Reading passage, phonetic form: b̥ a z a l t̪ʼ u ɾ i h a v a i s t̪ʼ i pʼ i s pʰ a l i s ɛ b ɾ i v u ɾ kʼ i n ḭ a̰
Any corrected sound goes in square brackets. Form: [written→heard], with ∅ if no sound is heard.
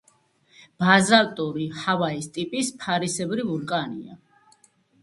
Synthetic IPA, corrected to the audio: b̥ a z a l t̪ʼ u ɾ i h a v a i s t̪ʼ i pʼ i s pʰ a [l→ɾ] i s ɛ b ɾ i v u ɾ kʼ [i→a] n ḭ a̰

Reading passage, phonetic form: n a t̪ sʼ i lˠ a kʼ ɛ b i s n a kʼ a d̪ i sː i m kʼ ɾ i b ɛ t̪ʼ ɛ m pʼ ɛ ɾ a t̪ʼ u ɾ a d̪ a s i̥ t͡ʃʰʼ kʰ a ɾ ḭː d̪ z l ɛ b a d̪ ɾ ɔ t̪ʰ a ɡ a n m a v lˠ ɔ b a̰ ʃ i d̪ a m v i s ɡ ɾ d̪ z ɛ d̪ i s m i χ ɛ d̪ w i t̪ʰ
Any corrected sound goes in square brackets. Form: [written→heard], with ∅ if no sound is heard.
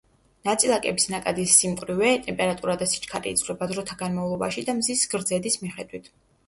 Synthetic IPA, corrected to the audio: n a t̪ sʼ i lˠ a kʼ ɛ b i s n a kʼ a d̪ i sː i m kʼ ɾ i [b→v] ɛ t̪ʼ ɛ m pʼ ɛ ɾ a t̪ʼ u ɾ a d̪ a s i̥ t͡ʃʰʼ kʰ a ɾ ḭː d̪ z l ɛ b a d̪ ɾ ɔ t̪ʰ a ɡ a n m a v lˠ ɔ b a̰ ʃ i d̪ a m [v→z] i s ɡ ɾ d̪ z ɛ d̪ i s m i χ ɛ d̪ w i t̪ʰ

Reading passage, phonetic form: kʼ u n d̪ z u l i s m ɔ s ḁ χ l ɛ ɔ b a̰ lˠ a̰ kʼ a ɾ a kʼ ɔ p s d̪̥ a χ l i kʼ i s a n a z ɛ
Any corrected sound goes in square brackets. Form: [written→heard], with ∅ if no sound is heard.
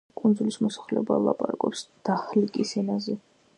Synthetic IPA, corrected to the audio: kʼ u n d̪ z u l i s m ɔ s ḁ χ l ɛ ɔ b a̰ lˠ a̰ [kʼ→pʼ] a ɾ a kʼ ɔ p s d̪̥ a χ l i kʼ i s [a→ɛ] n a z ɛ

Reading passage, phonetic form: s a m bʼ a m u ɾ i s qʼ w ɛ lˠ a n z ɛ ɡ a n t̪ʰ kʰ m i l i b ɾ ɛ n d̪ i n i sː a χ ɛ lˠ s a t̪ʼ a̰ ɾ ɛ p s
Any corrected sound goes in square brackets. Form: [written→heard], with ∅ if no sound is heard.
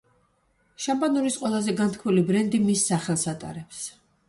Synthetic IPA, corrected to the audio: [s→ʃ] a m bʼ a [m→n] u ɾ i s qʼ w ɛ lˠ a [n→∅] z ɛ ɡ a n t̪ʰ kʰ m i l i b ɾ ɛ n d̪ i [n→m] i sː a χ ɛ lˠ s a t̪ʼ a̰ ɾ ɛ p s

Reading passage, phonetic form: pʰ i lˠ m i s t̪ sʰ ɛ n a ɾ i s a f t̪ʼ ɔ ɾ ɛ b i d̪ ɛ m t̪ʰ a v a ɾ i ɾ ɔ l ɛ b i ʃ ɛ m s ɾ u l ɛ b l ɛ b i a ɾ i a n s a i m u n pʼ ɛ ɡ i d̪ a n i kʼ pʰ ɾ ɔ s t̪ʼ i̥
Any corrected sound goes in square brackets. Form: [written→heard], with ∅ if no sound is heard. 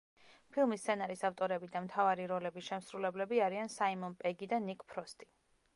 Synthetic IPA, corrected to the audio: pʰ i lˠ m i s t̪ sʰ ɛ n a ɾ i s a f t̪ʼ ɔ ɾ ɛ b i d̪ [ɛ→a] m t̪ʰ a v a ɾ i ɾ ɔ l ɛ b i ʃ ɛ m s ɾ u l ɛ b l ɛ b i a ɾ i a n s a i m [u→ɔ] n pʼ ɛ ɡ i d̪ a n i kʼ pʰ ɾ ɔ s t̪ʼ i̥

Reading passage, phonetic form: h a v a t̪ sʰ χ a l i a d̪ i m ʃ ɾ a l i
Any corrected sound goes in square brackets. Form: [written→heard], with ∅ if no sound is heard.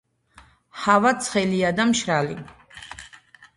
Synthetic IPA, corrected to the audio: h a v a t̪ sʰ χ [a→ɛ] l i a d̪ [i→a] m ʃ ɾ a l i

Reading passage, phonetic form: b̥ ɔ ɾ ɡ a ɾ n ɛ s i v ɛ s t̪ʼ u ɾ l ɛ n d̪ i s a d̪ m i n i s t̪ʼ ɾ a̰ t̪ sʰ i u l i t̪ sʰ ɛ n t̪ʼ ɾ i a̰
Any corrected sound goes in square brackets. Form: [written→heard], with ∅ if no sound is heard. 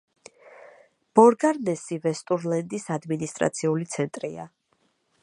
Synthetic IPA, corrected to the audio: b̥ ɔ ɾ ɡ a ɾ n ɛ s i v ɛ s t̪ʼ u ɾ l ɛ n d̪ i s a d̪ m i n i s t̪ʼ ɾ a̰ t̪ sʰ i u l i t̪ sʰ ɛ n t̪ʼ ɾ i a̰

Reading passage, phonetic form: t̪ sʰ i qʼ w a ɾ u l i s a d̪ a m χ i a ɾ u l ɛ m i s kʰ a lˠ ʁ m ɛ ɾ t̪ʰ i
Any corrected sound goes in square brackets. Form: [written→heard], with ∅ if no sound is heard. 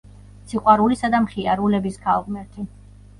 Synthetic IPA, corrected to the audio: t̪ sʰ i qʼ w a ɾ u l i s a d̪ a m χ i a ɾ u l ɛ [m→b] i s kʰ a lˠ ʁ m ɛ ɾ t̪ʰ i

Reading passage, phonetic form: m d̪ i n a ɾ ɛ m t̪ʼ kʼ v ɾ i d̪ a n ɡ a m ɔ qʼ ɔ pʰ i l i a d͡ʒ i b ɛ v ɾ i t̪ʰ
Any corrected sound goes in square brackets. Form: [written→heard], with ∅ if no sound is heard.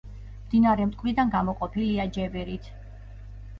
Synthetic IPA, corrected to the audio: m d̪ i n a ɾ ɛ m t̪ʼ kʼ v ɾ i d̪ a n ɡ a m ɔ qʼ ɔ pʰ i l i a d͡ʒ [i→ɛ] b ɛ [v→∅] ɾ i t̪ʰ

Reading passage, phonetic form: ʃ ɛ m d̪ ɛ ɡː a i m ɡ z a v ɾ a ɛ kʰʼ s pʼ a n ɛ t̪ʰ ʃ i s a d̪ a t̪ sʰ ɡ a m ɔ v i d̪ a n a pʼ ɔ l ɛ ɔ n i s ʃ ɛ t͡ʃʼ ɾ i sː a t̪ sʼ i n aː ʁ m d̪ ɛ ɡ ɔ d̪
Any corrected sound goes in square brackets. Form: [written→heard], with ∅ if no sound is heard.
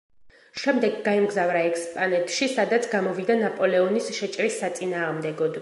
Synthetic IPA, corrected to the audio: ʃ ɛ m d̪ ɛ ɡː a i m ɡ z a v ɾ a ɛ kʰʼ s pʼ a n ɛ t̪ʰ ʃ i s a d̪ a t̪ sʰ ɡ a m ɔ v i d̪ a n a pʼ ɔ l ɛ ɔ n i s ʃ ɛ t͡ʃʼ ɾ i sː a t̪ sʼ i n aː ʁ m d̪ ɛ ɡ ɔ d̪

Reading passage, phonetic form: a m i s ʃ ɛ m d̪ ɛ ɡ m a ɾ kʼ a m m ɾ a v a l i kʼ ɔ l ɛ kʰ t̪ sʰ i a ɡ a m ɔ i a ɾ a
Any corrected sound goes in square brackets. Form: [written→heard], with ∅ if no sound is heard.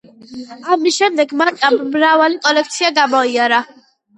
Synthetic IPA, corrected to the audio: a m i s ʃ ɛ m d̪ ɛ ɡ m a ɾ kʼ a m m ɾ a v a l i kʼ ɔ l ɛ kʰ t̪ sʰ i a ɡ a m ɔ i a ɾ a

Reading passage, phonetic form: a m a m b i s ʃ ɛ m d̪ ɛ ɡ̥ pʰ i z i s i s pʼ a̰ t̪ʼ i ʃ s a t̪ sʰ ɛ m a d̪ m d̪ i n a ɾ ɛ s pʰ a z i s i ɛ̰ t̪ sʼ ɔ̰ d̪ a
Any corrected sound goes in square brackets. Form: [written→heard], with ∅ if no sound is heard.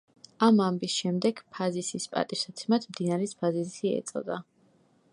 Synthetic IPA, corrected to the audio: a m a m b i s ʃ ɛ m d̪ ɛ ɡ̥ pʰ [i→a] z i s i s pʼ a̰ t̪ʼ i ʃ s a t̪ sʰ ɛ m a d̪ m d̪ i n a ɾ ɛ s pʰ a z i s i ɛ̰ t̪ sʼ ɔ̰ d̪ a

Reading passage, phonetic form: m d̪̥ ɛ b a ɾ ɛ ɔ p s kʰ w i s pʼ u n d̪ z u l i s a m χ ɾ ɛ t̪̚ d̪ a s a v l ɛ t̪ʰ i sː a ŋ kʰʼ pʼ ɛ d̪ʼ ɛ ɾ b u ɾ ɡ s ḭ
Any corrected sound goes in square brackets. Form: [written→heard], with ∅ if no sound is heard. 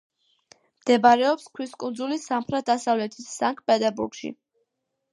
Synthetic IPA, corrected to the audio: m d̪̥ ɛ b a ɾ ɛ ɔ p s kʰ w i s [pʼ→kʼ] u n d̪ z u l i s a m χ ɾ ɛ t̪̚ d̪ a s a v l ɛ t̪ʰ i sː a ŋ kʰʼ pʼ ɛ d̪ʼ ɛ ɾ b u ɾ ɡ [s→ʃ] ḭ

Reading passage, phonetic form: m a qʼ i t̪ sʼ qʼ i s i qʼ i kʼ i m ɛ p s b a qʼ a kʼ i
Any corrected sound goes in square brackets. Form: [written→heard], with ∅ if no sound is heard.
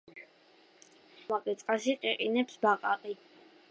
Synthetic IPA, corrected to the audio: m a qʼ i t̪ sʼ qʼ [i→a] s i qʼ i [kʼ→qʼ] i [m→n] ɛ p s b a qʼ a [kʼ→qʼ] i

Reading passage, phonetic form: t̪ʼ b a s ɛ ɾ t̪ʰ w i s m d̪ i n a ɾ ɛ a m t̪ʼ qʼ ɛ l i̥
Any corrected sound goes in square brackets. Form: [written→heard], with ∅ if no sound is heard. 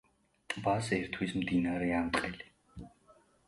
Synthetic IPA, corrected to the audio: t̪ʼ b a s ɛ ɾ t̪ʰ w i s m d̪ i n a ɾ ɛ a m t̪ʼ qʼ ɛ l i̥

